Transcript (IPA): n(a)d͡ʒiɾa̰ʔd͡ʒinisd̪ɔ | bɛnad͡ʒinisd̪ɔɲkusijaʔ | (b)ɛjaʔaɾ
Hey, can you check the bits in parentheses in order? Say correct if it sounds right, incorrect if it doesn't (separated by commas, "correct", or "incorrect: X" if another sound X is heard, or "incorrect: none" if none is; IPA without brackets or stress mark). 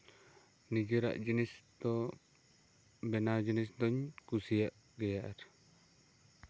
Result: incorrect: i, incorrect: ɡ